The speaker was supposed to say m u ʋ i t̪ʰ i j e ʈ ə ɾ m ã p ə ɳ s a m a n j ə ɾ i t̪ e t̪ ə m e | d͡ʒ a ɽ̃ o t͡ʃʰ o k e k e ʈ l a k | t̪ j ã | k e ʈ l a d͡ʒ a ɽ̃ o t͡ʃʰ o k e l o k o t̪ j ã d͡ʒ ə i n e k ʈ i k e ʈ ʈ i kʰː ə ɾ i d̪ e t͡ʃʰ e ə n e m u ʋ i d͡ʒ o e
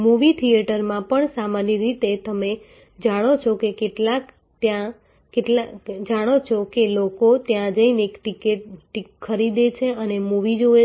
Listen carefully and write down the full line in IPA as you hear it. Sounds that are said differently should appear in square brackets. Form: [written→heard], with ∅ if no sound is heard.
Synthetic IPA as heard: m u ʋ i t̪ʰ i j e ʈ ə ɾ m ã p ə ɳ s a m a n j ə ɾ i t̪ e t̪ ə m e | d͡ʒ a ɽ̃ o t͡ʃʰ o k e k e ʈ l a k | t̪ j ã | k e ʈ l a d͡ʒ a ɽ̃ o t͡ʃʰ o k e l o k o t̪ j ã d͡ʒ ə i n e k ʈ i k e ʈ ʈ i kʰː ə ɾ i d̪ e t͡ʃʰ e ə n e m u ʋ i d͡ʒ o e